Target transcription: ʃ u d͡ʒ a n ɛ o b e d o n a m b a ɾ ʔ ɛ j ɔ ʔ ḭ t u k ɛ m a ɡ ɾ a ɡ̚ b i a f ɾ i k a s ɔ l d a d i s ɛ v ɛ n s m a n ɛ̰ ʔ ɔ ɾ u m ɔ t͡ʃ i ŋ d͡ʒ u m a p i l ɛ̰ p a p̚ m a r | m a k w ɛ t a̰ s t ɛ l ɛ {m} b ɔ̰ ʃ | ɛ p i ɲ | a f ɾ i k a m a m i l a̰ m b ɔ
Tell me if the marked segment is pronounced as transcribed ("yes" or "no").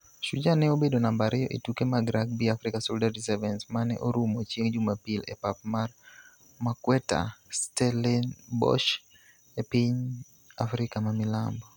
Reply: no